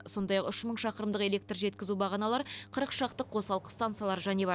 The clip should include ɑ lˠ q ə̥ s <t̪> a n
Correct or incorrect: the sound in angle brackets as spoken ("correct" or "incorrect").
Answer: correct